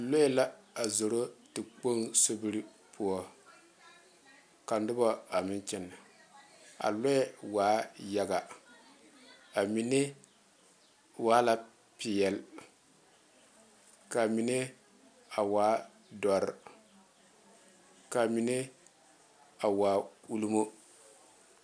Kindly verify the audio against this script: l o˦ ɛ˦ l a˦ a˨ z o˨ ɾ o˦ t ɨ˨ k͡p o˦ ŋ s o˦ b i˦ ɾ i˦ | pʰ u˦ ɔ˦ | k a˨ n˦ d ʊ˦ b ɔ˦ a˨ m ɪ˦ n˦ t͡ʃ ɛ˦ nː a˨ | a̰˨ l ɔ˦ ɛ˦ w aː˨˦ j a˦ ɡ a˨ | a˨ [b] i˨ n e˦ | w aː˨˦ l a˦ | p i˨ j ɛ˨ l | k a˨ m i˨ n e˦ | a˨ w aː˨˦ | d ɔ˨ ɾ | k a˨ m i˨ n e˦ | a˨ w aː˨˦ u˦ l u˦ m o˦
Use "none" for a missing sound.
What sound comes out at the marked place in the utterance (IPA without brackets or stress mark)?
m